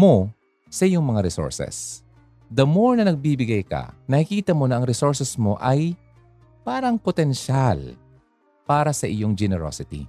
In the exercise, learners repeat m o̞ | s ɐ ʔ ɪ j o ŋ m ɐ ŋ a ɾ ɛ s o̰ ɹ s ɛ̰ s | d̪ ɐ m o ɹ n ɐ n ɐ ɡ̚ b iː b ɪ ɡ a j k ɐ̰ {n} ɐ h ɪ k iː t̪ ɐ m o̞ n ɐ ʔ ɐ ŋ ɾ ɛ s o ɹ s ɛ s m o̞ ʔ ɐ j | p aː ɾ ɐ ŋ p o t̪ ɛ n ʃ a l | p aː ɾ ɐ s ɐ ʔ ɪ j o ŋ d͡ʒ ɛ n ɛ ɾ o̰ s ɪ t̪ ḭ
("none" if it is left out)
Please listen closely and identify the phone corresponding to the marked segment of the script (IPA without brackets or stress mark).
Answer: n